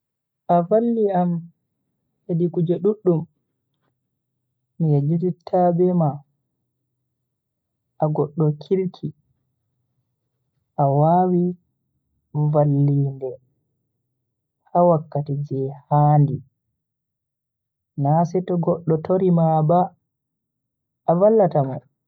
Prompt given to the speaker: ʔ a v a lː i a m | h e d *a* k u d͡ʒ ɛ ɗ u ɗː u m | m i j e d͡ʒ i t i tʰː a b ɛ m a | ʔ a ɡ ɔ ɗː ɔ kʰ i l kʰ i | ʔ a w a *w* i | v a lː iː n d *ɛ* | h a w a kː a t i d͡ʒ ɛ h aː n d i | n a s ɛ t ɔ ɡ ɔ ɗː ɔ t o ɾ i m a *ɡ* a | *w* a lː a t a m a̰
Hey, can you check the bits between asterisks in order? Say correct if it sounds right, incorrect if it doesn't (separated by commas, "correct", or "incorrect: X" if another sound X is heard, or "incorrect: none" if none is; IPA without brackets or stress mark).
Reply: incorrect: i, correct, correct, incorrect: b, incorrect: v